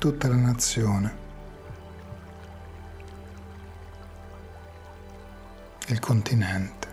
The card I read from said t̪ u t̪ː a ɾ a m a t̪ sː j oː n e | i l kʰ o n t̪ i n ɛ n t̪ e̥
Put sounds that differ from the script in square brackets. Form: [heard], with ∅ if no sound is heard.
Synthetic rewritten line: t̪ u t̪ː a [l] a [n] a t̪ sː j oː n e | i l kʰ o n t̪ i n ɛ n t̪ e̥